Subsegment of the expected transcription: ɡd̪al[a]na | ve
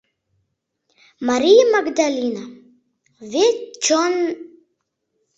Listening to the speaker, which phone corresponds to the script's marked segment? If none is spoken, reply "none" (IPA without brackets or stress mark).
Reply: i